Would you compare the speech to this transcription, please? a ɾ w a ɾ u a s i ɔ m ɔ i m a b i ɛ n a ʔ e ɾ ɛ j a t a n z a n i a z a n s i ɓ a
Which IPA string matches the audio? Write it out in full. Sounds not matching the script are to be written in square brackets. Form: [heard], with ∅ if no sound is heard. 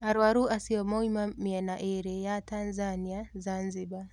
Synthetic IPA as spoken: a ɾ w a ɾ u a s i ɔ m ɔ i m a [m] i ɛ n a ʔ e ɾ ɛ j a t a n z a n i a z a n [z] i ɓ a